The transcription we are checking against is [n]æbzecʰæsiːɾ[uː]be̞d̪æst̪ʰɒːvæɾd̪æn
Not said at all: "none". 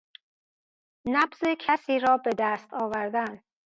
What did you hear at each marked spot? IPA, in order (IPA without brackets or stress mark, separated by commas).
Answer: n, ɒː